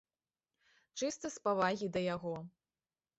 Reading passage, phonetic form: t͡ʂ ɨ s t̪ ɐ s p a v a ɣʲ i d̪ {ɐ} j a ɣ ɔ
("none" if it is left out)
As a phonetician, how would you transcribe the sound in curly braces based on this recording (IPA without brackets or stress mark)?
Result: ɐ